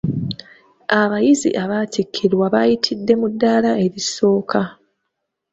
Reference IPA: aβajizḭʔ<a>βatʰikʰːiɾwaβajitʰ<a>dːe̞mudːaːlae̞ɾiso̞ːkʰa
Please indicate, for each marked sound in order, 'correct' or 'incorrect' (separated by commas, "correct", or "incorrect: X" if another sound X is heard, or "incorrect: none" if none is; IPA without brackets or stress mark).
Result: correct, incorrect: i